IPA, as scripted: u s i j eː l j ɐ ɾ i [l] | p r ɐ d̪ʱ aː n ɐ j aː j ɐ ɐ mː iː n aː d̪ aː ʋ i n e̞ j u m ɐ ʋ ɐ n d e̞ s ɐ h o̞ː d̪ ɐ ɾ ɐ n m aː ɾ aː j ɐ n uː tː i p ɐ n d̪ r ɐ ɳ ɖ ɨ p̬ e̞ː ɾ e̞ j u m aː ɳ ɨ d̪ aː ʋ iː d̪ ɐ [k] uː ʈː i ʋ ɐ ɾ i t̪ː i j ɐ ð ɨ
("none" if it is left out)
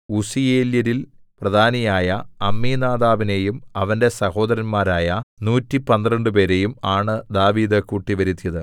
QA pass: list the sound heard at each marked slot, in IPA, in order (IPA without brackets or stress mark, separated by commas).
l, k